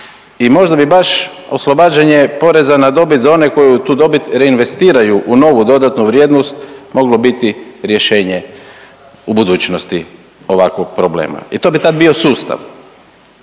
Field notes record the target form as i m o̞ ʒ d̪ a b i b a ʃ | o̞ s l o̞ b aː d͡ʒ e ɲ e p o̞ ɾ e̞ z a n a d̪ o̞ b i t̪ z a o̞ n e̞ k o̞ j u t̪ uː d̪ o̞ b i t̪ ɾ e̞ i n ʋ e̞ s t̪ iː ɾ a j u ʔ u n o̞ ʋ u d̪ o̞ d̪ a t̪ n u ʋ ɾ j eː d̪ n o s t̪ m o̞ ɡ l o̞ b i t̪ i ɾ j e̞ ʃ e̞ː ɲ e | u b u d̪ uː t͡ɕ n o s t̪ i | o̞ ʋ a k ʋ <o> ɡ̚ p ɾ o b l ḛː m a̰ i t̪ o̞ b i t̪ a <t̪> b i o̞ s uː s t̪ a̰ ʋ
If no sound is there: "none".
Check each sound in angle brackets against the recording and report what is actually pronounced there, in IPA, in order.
o, d̪

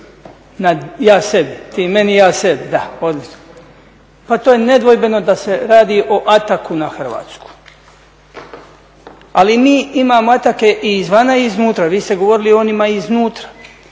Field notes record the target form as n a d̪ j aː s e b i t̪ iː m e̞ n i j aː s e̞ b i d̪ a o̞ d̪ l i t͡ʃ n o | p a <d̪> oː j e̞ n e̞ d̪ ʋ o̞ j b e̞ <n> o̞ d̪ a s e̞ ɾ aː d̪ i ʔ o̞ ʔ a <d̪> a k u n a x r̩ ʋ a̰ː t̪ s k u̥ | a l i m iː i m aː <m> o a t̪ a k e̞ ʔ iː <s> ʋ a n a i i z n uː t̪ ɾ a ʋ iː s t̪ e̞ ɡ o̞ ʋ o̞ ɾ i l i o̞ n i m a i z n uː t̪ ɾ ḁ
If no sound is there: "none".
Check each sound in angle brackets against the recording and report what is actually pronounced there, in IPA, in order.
t̪, n, t̪, m, z

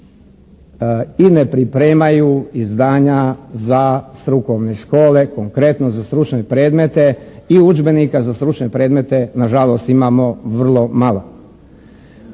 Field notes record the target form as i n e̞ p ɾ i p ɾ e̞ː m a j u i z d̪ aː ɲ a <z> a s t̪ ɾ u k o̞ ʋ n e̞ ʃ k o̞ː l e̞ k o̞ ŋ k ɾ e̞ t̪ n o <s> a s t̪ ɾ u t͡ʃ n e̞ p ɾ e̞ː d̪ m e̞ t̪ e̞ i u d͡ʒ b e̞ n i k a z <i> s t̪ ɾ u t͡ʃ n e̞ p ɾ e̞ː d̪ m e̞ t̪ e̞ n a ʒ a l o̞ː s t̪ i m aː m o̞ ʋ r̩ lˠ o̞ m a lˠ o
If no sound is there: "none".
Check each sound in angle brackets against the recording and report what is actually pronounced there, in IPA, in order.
z, z, a

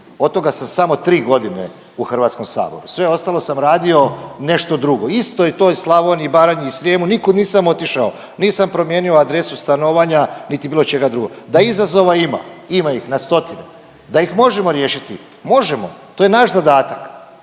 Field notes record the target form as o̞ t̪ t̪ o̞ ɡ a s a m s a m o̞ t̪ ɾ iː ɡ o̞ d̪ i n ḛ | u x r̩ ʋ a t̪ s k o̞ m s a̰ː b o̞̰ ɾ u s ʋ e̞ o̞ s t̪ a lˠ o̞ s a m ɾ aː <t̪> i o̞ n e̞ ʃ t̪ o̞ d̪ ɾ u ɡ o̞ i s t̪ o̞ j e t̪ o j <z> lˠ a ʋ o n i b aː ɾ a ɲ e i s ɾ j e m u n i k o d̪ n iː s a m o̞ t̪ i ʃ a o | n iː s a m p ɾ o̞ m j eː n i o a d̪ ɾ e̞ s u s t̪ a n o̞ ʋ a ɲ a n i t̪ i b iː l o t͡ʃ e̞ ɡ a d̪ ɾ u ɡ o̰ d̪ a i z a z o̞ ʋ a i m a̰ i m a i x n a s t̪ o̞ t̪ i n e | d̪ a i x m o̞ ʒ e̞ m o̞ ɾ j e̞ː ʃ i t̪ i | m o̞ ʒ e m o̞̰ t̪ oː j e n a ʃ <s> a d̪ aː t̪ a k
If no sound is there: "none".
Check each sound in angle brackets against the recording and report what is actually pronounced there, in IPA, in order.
d̪, s, z

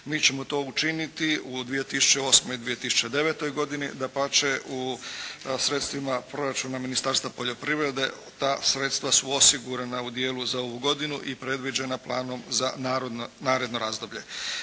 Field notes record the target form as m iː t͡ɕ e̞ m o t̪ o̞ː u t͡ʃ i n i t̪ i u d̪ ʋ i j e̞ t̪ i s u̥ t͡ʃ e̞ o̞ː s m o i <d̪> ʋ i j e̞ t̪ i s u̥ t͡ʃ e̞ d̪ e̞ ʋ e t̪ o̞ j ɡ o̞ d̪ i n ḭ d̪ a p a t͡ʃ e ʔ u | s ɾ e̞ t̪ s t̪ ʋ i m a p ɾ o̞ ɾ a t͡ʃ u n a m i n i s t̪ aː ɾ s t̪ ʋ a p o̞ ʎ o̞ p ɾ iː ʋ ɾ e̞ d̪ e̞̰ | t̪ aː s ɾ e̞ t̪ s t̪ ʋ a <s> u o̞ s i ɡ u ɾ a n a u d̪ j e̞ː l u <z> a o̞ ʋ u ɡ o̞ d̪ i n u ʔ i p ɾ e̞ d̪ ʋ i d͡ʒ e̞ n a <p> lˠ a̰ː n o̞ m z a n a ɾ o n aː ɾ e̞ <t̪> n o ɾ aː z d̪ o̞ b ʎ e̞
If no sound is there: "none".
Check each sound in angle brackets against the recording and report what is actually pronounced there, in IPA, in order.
d̪, s, z, p, d̪

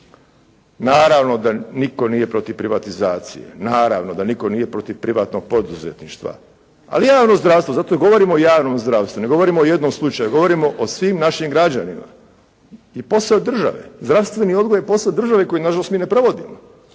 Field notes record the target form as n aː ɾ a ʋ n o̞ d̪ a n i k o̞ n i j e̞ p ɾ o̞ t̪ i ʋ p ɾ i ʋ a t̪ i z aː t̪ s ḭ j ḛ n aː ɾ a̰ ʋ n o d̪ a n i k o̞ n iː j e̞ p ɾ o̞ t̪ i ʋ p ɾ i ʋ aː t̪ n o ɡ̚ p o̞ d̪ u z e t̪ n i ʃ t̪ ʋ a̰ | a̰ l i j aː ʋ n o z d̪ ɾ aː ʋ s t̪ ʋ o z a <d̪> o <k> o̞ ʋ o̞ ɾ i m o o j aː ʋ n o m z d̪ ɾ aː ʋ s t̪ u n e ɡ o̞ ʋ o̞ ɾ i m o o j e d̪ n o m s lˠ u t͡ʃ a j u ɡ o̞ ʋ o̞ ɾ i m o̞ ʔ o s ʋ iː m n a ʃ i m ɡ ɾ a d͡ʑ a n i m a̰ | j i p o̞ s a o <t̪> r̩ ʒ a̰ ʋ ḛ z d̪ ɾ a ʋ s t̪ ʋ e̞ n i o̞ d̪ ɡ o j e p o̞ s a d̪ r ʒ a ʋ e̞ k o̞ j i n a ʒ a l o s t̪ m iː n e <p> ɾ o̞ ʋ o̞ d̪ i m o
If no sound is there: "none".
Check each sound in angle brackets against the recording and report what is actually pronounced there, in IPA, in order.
t̪, ɡ, d̪, p

